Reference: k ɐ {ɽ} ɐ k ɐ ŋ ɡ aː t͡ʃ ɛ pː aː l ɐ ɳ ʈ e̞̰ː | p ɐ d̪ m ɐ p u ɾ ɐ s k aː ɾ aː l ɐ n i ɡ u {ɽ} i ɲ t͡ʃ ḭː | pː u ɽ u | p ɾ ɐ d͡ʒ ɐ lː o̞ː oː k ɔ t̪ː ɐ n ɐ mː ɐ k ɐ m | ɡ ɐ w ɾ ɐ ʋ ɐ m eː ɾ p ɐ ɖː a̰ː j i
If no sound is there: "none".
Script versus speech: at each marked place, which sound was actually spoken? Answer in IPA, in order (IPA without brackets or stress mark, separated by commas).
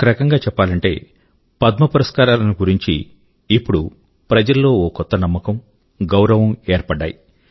ɾ, ɾ